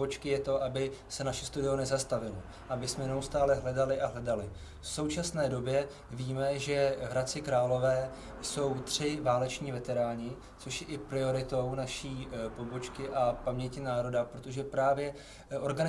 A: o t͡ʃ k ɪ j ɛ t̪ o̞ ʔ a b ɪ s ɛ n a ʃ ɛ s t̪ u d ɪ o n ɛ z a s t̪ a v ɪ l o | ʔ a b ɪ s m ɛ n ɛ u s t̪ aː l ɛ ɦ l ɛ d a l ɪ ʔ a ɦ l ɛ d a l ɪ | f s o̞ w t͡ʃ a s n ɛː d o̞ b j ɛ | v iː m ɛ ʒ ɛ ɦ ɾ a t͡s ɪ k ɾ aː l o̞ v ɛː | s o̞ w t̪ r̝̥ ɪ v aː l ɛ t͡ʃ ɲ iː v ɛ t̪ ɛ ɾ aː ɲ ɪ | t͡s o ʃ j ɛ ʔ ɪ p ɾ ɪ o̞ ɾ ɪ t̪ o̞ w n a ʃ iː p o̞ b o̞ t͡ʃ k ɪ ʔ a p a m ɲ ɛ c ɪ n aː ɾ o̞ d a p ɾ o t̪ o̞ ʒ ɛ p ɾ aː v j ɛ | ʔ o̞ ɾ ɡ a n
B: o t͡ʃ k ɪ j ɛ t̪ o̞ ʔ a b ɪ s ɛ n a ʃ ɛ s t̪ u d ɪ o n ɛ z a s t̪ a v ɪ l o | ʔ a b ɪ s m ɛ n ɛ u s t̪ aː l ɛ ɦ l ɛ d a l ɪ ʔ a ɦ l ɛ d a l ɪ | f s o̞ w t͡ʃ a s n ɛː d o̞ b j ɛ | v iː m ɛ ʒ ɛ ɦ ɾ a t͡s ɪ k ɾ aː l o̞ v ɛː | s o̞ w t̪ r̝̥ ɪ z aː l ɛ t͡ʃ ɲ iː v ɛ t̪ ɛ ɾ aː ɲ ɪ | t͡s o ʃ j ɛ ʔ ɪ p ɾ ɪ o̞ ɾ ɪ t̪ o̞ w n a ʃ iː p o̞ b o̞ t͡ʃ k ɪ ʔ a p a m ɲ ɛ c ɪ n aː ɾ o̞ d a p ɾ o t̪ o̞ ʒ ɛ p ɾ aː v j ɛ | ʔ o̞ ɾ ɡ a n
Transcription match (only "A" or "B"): A